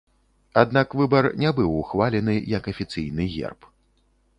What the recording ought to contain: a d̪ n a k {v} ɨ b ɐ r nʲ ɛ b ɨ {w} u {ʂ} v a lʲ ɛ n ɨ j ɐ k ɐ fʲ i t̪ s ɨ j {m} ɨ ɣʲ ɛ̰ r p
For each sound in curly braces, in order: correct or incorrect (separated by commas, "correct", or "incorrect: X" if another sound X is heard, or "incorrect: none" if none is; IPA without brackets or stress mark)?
correct, correct, incorrect: x, incorrect: n